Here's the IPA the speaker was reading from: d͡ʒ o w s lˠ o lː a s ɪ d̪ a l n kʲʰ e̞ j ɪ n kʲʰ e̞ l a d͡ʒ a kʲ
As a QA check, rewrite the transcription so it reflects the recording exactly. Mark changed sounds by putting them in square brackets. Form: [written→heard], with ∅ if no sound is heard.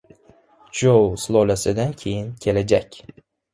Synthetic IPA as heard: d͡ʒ o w s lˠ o [lː→l] a s ɪ d̪ a [l→∅] n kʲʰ e̞ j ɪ n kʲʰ e̞ l a d͡ʒ a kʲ

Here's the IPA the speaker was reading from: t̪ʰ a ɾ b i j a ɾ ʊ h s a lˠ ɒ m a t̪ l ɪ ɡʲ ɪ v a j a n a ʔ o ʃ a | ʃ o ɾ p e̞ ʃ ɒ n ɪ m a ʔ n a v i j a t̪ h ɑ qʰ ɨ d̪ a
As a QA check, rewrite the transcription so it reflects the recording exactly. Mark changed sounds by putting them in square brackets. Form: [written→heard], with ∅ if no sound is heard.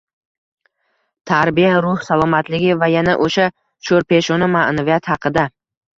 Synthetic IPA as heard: t̪ʰ a ɾ b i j a ɾ ʊ h s a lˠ ɒ m a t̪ l ɪ ɡʲ ɪ v a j a n a ʔ o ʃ a | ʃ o ɾ p e̞ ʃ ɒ n ɪ m a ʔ n a v i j a t̪ h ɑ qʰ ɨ d̪ a

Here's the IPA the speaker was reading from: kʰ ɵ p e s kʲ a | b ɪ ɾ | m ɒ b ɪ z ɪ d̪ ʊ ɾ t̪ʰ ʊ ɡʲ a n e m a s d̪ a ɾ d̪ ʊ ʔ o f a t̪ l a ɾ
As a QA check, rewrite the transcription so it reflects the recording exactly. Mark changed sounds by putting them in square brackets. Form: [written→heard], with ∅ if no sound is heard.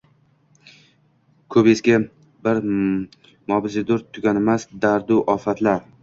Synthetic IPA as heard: kʰ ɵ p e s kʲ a | b ɪ ɾ | m ɒ b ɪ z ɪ d̪ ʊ ɾ t̪ʰ ʊ ɡʲ a n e m a s d̪ a ɾ d̪ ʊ ʔ [o→ɒ] f a t̪ l a ɾ

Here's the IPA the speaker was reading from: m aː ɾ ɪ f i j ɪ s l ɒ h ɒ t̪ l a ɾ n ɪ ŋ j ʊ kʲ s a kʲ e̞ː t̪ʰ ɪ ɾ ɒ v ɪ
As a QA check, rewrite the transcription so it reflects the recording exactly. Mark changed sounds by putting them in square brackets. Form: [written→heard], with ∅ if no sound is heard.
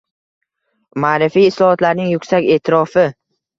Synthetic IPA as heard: m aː ɾ ɪ f i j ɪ s l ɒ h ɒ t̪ l a ɾ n ɪ ŋ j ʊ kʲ s a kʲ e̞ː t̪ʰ ɪ ɾ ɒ [v→f] ɪ

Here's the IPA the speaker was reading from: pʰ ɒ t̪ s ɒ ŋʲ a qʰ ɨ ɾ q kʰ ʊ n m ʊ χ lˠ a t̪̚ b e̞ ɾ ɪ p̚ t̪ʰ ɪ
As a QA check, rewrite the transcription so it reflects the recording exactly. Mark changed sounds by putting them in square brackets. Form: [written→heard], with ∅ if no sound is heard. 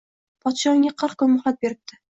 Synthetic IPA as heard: pʰ ɒ t̪ [s→ʃ] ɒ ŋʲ a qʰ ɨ ɾ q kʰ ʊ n m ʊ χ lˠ a t̪̚ b e̞ ɾ ɪ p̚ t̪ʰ ɪ

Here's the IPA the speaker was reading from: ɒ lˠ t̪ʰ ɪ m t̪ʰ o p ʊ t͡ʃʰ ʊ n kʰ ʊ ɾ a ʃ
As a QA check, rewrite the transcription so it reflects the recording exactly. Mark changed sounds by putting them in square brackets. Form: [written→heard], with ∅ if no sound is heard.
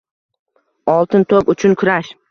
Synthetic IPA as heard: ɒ lˠ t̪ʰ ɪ [m→n] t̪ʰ o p ʊ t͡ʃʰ ʊ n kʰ ʊ ɾ a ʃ

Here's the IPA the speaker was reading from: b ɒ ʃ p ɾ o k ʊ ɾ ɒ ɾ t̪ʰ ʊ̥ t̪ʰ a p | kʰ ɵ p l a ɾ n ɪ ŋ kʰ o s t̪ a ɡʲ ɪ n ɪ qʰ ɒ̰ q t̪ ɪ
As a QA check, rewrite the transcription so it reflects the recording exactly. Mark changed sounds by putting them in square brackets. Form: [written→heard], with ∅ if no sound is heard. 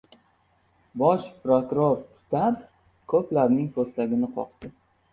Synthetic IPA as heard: b ɒ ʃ p ɾ o k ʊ ɾ [ɒ→o] ɾ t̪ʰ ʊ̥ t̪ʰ a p | kʰ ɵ p l a ɾ n ɪ ŋ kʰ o s t̪ a ɡʲ ɪ n ɪ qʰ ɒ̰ q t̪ ɪ

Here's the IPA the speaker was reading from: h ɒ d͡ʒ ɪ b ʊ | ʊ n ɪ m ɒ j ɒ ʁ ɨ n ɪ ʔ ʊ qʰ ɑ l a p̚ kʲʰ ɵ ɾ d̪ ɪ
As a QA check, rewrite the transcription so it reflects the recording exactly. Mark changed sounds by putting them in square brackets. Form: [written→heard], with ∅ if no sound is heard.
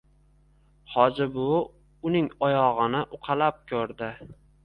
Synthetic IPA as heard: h ɒ d͡ʒ ɪ b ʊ | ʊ n ɪ [m→ŋ] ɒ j ɒ ʁ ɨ n ɪ ʔ ʊ qʰ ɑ l a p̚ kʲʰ ɵ ɾ d̪ ɪ

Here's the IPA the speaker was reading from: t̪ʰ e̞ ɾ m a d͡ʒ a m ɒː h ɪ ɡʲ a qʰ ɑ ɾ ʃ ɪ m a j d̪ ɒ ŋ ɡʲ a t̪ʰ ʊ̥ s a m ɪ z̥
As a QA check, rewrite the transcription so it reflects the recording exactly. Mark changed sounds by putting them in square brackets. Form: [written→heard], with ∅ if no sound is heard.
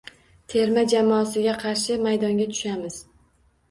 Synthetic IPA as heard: t̪ʰ e̞ ɾ m a d͡ʒ a m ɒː [h→s] ɪ ɡʲ a qʰ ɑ ɾ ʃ ɪ m a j d̪ ɒ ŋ ɡʲ a t̪ʰ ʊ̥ [s→ʃ] a m ɪ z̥

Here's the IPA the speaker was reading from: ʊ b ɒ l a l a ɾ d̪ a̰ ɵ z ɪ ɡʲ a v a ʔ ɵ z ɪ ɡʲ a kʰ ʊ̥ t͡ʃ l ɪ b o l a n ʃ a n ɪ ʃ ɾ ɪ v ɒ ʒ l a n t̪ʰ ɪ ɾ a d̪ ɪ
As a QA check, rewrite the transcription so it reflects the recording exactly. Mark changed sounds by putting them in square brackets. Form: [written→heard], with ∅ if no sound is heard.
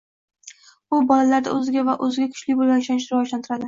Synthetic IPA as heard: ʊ b ɒ l a l a ɾ d̪ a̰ ɵ z ɪ ɡʲ a v a ʔ ɵ z ɪ ɡʲ a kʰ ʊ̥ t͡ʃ l ɪ b o l a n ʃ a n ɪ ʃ ɾ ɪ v ɒ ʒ l a n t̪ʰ ɪ ɾ a d̪ ɪ

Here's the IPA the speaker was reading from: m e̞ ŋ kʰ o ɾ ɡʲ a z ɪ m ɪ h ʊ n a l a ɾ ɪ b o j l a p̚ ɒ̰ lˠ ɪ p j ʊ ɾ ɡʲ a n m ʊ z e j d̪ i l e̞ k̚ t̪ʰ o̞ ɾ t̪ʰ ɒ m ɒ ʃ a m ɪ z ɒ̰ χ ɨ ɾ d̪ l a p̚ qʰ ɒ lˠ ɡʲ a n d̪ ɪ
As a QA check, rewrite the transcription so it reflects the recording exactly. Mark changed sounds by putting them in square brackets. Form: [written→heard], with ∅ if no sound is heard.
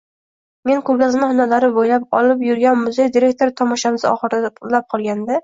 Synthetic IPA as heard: m e̞ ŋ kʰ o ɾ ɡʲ a z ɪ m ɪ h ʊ n a l a ɾ ɪ b o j l a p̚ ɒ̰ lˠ ɪ p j ʊ ɾ ɡʲ a n m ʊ z e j d̪ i [l→ɾ] e̞ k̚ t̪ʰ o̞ ɾ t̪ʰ ɒ m ɒ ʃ a m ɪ z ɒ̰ χ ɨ ɾ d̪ l a p̚ qʰ ɒ lˠ ɡʲ a n d̪ ɪ

